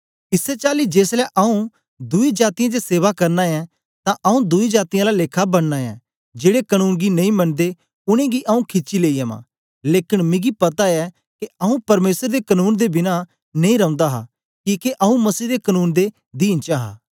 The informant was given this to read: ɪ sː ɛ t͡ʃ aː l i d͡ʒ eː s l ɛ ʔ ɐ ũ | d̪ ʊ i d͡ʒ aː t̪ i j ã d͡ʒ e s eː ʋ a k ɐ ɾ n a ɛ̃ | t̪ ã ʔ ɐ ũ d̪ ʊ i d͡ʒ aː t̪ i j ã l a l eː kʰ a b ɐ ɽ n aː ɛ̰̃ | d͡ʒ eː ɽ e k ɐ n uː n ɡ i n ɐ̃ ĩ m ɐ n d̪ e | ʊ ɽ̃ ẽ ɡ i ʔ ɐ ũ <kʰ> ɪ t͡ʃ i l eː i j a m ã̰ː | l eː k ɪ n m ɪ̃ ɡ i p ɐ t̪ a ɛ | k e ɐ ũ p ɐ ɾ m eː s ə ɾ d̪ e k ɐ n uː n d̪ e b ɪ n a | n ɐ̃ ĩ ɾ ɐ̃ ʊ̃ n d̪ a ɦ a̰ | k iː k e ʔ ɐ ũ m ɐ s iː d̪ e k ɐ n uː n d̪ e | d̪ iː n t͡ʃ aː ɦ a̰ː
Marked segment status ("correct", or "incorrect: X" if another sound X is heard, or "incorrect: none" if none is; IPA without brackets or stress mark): correct